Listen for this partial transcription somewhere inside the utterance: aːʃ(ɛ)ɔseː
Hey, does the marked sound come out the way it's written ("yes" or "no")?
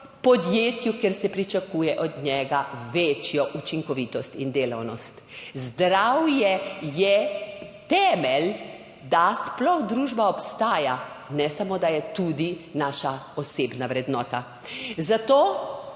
no